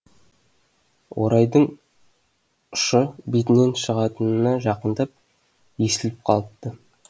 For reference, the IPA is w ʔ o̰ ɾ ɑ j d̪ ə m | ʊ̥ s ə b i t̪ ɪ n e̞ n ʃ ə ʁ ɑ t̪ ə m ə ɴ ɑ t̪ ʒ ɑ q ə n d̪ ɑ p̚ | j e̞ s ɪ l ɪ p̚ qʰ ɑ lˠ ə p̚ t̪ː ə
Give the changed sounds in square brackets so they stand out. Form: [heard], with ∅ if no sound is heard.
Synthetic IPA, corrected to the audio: w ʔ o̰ ɾ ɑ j d̪ ə [ɴ] | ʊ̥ [ʃ] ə b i t̪ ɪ n e̞ n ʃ ə ʁ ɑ t̪ ə [n] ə [n] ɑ [∅] ʒ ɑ q ə n d̪ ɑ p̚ | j e̞ s ɪ l ɪ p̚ qʰ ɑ lˠ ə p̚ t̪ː ə

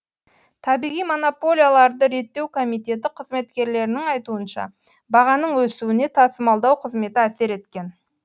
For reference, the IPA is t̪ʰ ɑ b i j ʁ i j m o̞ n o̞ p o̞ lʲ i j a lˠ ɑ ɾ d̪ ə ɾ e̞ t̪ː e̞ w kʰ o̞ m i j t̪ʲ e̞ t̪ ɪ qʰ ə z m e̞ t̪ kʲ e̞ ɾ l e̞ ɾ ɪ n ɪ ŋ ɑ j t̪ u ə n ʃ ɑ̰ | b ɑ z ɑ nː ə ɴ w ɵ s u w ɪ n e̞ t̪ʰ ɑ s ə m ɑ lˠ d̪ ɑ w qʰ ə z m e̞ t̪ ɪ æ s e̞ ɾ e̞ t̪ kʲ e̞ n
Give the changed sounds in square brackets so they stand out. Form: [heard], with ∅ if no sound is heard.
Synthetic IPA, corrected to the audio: t̪ʰ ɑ b i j ʁ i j m o̞ n o̞ p o̞ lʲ i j a lˠ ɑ ɾ d̪ ə ɾ e̞ t̪ː e̞ w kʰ o̞ m i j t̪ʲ e̞ t̪ ɪ qʰ ə z m e̞ t̪ kʲ e̞ ɾ l e̞ ɾ ɪ n ɪ ŋ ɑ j t̪ u ə n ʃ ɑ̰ | b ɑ [ʁ] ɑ [n] ə ɴ w ɵ s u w ɪ n e̞ t̪ʰ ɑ s ə m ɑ lˠ d̪ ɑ w qʰ ə z m e̞ t̪ ɪ æ s e̞ ɾ e̞ t̪ kʲ e̞ n

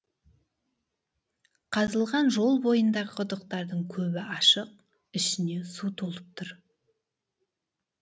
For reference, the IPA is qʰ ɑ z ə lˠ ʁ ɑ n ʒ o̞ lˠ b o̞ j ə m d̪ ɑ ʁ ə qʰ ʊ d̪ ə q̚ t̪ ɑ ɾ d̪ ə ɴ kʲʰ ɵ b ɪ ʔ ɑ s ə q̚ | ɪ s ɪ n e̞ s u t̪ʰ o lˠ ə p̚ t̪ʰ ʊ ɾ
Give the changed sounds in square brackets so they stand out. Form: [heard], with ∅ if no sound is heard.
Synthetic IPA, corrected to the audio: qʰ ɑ z ə lˠ ʁ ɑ n ʒ o̞ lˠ b o̞ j ə [n] d̪ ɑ ʁ ə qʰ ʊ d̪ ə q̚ t̪ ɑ ɾ d̪ ə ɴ kʲʰ ɵ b ɪ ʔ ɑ [ʃ] ə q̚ | ɪ [ʃ] ɪ n e̞ s u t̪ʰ o lˠ ə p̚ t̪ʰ ʊ ɾ

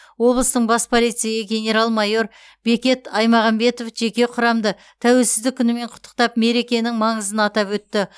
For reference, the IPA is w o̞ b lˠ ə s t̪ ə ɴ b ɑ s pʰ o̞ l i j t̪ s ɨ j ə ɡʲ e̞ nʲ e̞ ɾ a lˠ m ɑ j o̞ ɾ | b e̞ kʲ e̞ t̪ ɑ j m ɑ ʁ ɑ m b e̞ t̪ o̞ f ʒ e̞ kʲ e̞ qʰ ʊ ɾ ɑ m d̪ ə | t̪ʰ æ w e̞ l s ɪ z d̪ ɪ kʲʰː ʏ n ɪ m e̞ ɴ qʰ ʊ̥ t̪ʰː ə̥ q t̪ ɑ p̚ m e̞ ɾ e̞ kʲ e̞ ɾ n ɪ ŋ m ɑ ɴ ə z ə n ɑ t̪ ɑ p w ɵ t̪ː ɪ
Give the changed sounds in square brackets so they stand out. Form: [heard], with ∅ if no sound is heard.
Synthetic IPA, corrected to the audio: w o̞ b lˠ ə s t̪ ə ɴ b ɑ s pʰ o̞ l i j t̪ s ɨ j ə ɡʲ e̞ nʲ e̞ ɾ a lˠ m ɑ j o̞ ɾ | b e̞ kʲ e̞ t̪ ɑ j m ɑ ʁ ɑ m b e̞ t̪ o̞ f ʒ e̞ kʲ e̞ qʰ ʊ ɾ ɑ m d̪ ə | t̪ʰ æ w e̞ l s ɪ z d̪ ɪ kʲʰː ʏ n ɪ m e̞ ɴ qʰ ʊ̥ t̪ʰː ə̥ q t̪ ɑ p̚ m e̞ ɾ e̞ kʲ e̞ [∅] n ɪ ŋ m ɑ ɴ ə z ə n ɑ t̪ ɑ p w ɵ t̪ː ɪ

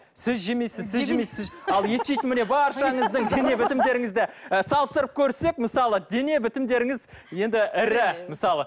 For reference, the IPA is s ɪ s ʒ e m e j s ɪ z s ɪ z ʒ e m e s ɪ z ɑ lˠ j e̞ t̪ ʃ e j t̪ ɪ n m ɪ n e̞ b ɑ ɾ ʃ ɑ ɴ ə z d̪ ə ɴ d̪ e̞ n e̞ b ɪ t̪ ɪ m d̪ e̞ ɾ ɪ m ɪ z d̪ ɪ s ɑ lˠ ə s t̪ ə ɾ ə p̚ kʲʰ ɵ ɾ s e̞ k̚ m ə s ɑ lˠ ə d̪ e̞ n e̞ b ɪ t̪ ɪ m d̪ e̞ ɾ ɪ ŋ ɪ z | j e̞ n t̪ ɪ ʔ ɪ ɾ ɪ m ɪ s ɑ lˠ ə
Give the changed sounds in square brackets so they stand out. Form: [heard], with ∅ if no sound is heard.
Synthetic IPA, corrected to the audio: s ɪ [z] ʒ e m e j s ɪ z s ɪ z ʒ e m e s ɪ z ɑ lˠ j e̞ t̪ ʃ e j t̪ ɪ n m ɪ n e̞ b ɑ ɾ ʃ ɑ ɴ ə z d̪ ə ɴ d̪ e̞ n e̞ b ɪ t̪ ɪ m d̪ e̞ ɾ ɪ [ŋ] ɪ z d̪ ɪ s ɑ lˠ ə s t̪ ə ɾ ə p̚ kʲʰ ɵ ɾ s e̞ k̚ m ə s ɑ lˠ ə d̪ e̞ n e̞ b ɪ t̪ ɪ m d̪ e̞ ɾ ɪ ŋ ɪ z | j e̞ n [d̪] ɪ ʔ ɪ ɾ ɪ m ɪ s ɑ lˠ ə

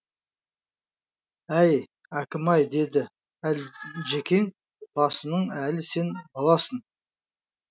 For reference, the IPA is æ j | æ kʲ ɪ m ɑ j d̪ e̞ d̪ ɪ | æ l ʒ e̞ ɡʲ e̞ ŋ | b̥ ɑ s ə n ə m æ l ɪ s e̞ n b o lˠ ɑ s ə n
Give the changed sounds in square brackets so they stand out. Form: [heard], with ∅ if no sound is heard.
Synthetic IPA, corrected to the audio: æ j | æ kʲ ɪ m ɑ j d̪ e̞ d̪ ɪ | æ l ʒ e̞ [kʲ] e̞ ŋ | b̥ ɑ s ə n ə [ɴ] æ l ɪ s e̞ n b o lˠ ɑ s ə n

